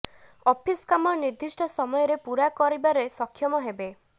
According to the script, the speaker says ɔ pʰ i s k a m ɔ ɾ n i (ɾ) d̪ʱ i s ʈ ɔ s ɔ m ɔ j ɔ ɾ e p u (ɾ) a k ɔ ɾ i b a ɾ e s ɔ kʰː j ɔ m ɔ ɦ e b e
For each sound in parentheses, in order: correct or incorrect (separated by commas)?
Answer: correct, correct